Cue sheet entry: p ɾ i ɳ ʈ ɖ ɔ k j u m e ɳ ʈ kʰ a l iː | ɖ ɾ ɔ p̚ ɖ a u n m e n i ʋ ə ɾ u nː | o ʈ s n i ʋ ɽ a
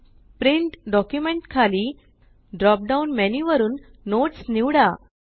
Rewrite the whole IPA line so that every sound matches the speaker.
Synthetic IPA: p ɾ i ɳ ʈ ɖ ɔ k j u m e ɳ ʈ kʰ a l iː | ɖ ɾ ɔ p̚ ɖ a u n m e n i ʋ ə ɾ uː nː | o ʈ s n i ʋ ɽ a

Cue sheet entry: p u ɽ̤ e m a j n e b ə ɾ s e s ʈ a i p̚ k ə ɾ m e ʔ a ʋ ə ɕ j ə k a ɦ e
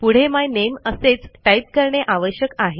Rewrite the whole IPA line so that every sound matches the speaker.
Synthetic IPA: p u ɽ̤ e m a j n e m ə s e t͡s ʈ a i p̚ k ə ɾ ɳ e ʔ a ʋ ə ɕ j ə k a ɦ e

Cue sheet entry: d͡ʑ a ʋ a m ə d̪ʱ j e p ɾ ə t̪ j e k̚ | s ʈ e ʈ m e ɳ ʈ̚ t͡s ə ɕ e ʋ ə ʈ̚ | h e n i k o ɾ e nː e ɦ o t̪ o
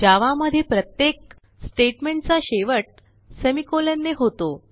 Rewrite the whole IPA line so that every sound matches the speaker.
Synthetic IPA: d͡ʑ a ʋ a m ə d̪ʱ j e p ɾ ə t̪ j e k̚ | s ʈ e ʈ m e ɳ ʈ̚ t͡s a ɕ e ʋ ə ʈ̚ | s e m i k o l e nː e ɦ o t̪ o

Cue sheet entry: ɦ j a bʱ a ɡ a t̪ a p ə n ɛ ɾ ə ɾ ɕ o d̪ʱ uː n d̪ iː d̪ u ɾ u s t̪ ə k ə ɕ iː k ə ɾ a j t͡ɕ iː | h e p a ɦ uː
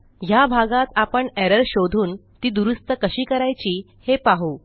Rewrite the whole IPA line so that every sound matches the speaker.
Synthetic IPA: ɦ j a bʱ a ɡ a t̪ a p ə ɳ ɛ ɾ ə ɾ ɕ o d̪ʱ uː n t̪ iː d̪ u ɾ u s t̪ ə k ə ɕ iː k ə ɾ a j t͡ɕ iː | h e p a ɦ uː

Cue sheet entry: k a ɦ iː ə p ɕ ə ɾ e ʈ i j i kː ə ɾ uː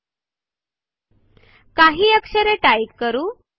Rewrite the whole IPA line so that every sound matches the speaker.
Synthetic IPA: k a ɦ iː ə k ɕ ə ɾ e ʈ a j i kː ə ɾ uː

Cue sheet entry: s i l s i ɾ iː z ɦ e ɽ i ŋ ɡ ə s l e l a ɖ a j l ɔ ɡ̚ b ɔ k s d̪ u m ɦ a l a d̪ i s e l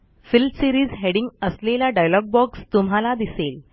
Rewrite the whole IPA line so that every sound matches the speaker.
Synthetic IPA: f i l s i ɾ iː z ɦ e ɽ i ŋ ɡ ə s l e l a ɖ a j l ɔ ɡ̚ b ɔ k s t̪ u m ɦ a l a d̪ i s e l

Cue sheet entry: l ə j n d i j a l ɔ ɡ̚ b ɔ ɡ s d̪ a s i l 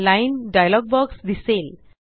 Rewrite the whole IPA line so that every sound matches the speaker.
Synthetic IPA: l a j n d a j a l ɔ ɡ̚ b ɔ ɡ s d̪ i s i l

